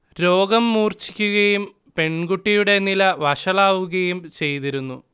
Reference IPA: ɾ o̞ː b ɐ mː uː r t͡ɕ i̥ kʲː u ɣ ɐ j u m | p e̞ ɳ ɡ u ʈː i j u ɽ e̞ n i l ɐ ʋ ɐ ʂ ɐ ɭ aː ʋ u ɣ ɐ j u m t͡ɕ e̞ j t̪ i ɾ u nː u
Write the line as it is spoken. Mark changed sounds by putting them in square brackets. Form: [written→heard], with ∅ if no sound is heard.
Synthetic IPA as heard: ɾ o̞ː [b→ɡ] ɐ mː uː r t͡ɕ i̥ kʲː u ɣ ɐ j u m | p e̞ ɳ ɡ u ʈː i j u ɽ e̞ n i l ɐ ʋ ɐ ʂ ɐ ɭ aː ʋ u ɣ ɐ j u m t͡ɕ e̞ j t̪ i ɾ u nː u